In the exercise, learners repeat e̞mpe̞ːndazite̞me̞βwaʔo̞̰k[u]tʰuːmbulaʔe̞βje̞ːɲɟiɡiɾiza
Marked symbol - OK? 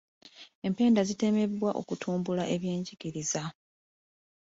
yes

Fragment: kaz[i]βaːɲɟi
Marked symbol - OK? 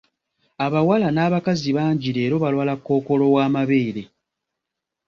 yes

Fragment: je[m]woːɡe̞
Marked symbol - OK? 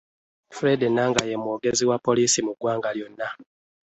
yes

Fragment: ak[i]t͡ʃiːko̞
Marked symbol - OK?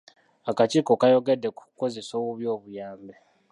no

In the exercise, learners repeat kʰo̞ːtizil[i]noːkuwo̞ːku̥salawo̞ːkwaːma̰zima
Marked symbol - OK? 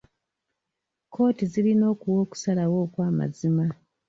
yes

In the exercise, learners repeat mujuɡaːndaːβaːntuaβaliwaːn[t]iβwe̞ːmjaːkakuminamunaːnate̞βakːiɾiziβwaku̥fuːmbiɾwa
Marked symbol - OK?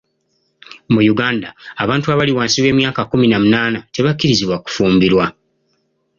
no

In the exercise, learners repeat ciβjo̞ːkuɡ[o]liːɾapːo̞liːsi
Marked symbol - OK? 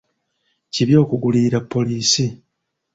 no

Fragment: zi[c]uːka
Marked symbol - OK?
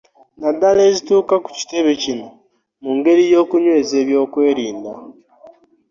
no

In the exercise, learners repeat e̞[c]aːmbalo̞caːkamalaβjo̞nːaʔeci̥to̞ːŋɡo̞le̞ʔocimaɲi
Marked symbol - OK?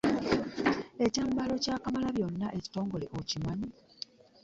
yes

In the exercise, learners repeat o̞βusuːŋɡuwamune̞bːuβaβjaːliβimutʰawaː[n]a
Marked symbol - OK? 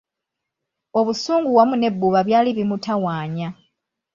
no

